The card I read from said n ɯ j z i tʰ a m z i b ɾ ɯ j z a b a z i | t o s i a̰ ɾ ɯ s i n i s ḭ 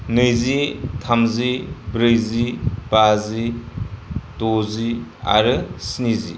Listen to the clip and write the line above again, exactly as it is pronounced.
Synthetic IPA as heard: n ɯ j z i tʰ a m z i b ɾ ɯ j z i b a z i | t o z i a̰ ɾ ɯ s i n i z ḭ